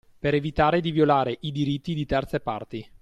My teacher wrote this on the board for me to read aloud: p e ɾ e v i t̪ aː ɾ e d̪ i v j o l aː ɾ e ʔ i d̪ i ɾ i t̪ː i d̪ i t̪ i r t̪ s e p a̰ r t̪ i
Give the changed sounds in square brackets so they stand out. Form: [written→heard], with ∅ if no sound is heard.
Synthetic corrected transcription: p e ɾ e v i t̪ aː ɾ e d̪ i v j o l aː ɾ e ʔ i d̪ i ɾ i t̪ː i d̪ i t̪ [i→ɛ] r t̪ s e p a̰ r t̪ i